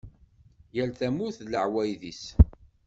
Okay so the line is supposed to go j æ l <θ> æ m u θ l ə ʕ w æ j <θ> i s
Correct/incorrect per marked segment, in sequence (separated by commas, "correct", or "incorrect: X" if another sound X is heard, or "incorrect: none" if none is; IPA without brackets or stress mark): correct, incorrect: ð